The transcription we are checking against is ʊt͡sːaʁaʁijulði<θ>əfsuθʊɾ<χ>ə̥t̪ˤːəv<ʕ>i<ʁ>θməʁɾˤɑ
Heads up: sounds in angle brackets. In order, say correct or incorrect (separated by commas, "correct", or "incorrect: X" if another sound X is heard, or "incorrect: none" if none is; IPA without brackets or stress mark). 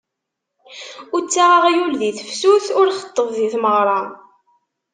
correct, correct, incorrect: ð, incorrect: none